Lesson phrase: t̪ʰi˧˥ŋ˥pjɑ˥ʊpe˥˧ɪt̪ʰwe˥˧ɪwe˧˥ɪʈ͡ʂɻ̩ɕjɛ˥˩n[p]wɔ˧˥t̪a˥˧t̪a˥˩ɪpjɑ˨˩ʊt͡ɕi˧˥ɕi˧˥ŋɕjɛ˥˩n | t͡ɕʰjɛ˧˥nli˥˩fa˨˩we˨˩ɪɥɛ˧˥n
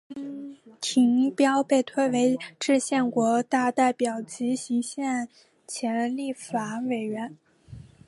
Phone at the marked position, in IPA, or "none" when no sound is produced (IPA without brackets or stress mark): k